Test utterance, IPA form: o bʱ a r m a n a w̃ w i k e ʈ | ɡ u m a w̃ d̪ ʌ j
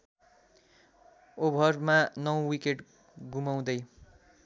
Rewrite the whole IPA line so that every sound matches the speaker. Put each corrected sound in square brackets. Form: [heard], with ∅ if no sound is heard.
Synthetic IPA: o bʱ [ʌ] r m a n [ʌ] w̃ w i k e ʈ | ɡ u m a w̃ d̪ ʌ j